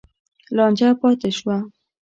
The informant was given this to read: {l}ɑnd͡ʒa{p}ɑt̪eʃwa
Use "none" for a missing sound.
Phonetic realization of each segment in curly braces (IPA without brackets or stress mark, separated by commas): l, p